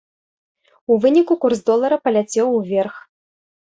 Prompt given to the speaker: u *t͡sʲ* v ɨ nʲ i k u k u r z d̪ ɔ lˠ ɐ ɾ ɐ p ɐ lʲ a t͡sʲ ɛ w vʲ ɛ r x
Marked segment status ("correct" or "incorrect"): incorrect